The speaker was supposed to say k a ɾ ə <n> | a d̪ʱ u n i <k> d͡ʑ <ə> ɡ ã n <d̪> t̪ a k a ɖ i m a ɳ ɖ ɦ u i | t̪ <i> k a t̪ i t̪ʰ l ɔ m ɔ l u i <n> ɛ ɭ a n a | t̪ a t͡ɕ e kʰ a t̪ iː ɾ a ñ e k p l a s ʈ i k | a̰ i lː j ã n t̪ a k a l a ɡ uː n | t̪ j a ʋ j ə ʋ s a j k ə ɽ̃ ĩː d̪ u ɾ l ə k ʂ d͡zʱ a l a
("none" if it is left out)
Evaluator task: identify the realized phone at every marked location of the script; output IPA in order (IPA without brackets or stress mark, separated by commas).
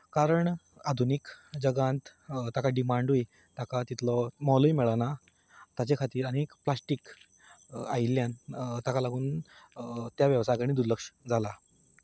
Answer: ɳ, k, ə, t̪, a, m